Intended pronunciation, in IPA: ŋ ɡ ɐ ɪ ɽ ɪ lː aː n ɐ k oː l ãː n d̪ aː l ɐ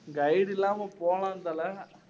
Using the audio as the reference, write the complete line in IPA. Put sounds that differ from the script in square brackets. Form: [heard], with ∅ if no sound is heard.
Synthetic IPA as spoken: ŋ ɡ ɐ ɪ ɽ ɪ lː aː [m] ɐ [p] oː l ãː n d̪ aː l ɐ

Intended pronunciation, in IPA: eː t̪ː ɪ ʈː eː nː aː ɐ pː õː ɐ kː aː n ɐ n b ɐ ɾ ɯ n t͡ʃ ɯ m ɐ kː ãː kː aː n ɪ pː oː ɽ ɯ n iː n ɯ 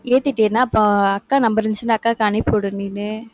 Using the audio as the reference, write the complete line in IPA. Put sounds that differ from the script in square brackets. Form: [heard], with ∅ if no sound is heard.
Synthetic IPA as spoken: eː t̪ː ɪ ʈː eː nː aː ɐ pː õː ɐ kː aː n ɐ [m] b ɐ ɾ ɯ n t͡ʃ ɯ [n] ɐ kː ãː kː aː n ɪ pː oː ɽ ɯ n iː n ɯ

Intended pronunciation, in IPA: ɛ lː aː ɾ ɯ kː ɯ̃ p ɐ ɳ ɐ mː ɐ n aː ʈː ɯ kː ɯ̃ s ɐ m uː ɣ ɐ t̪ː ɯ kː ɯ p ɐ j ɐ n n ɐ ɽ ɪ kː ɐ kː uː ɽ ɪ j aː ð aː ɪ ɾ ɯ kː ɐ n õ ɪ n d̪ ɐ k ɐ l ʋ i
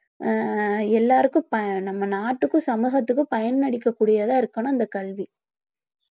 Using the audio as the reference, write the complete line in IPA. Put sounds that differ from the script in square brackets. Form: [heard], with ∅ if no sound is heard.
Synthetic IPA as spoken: ɛ lː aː ɾ ɯ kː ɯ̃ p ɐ [n] ɐ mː ɐ n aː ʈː ɯ kː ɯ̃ s ɐ m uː ɣ ɐ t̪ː ɯ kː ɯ p ɐ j ɐ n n ɐ ɽ ɪ kː ɐ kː uː ɽ ɪ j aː ð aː ɪ ɾ ɯ kː ɐ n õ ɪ n d̪ ɐ k ɐ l ʋ i

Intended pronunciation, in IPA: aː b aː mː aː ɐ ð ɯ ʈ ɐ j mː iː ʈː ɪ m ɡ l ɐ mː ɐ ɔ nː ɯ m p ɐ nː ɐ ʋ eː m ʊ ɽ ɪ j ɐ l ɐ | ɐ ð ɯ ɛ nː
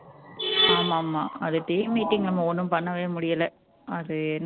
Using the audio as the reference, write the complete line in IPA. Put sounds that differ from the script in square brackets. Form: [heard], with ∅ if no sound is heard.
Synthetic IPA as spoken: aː [m] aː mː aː ɐ ð ɯ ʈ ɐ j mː iː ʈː ɪ [ŋ] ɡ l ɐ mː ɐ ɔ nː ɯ m p ɐ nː ɐ ʋ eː m ʊ ɽ ɪ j ɐ l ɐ | ɐ ð ɯ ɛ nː

